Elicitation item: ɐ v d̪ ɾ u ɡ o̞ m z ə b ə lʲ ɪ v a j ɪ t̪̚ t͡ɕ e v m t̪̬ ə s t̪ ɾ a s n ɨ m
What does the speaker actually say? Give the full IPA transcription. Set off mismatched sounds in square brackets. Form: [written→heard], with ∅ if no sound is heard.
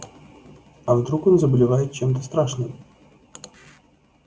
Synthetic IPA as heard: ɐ v d̪ ɾ u [ɡ→k] o̞ [m→n] z ə b ə lʲ ɪ v a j ɪ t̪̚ t͡ɕ e [v→∅] m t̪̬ ə s t̪ ɾ a [s→ʂ] n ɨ m